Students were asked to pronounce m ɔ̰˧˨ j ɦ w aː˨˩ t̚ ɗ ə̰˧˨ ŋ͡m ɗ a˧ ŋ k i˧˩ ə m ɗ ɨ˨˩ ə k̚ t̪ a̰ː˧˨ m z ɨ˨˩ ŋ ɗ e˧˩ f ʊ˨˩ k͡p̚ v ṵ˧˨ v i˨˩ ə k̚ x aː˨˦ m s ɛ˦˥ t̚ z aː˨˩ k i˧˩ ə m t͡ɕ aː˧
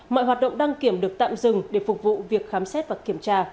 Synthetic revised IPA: m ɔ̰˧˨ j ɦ w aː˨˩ t̚ ɗ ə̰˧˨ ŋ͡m ɗ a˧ ŋ k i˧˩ ə m ɗ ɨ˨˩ ə k̚ t̪ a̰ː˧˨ m z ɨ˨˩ ŋ ɗ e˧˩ f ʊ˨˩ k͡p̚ v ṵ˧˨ v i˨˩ ə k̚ x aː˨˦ m s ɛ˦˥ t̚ v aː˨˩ k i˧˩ ə m t͡ɕ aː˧